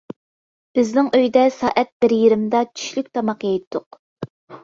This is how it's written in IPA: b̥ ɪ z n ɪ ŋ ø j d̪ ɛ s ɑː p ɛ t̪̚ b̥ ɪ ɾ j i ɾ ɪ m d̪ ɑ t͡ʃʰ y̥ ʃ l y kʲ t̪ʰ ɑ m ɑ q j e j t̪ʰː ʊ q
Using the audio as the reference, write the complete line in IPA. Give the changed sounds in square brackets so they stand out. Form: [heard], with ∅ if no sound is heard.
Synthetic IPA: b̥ ɪ z n ɪ ŋ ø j d̪ ɛ s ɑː [ʔ] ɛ t̪̚ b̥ ɪ ɾ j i ɾ ɪ m d̪ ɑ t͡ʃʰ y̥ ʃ l y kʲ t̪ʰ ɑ m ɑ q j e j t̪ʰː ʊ q